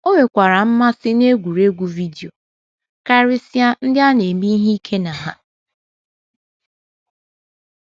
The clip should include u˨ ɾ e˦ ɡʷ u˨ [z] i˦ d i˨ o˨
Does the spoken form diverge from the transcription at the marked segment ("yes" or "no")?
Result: yes